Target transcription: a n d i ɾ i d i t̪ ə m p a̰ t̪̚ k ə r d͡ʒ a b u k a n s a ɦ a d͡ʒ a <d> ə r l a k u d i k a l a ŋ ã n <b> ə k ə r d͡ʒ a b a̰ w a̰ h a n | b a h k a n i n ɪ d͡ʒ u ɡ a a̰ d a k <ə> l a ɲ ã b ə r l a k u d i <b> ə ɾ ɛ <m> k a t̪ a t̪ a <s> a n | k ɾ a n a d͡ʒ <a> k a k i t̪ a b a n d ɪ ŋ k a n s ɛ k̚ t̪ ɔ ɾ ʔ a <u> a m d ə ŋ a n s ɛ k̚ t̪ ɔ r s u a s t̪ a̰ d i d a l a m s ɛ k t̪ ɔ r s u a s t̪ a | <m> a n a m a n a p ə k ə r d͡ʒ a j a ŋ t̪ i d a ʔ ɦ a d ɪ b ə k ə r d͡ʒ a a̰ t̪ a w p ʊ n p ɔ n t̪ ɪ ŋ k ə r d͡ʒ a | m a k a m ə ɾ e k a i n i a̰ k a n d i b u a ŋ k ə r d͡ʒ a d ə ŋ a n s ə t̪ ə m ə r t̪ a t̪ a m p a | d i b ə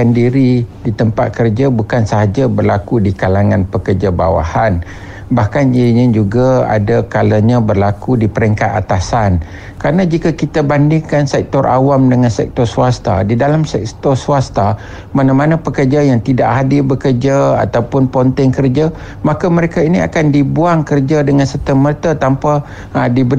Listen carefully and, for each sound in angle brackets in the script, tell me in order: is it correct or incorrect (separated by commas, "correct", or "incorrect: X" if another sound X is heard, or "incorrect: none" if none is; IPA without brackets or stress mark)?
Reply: incorrect: b, incorrect: p, incorrect: a, incorrect: p, incorrect: ŋ, correct, incorrect: i, incorrect: w, correct